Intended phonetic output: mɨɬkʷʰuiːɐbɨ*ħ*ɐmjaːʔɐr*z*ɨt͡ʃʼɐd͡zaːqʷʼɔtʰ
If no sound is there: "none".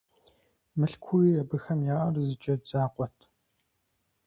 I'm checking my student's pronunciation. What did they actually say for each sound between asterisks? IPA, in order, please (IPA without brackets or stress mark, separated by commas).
x, z